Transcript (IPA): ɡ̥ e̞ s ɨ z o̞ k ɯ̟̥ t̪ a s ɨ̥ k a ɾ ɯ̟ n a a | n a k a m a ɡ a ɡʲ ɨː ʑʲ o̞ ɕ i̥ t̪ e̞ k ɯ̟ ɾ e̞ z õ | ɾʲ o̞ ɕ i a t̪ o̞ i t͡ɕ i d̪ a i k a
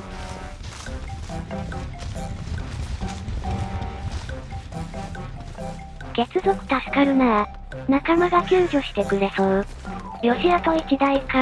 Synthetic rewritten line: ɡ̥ e̞ t͡s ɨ z o̞ k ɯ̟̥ t̪ a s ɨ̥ k a ɾ ɯ̟ n a a | n a k a m a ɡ a kʲ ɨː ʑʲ o̞ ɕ i̥ t̪ e̞ k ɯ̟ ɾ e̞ s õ | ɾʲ o̞ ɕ i a t̪ o̞ i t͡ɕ i d̪ a i k a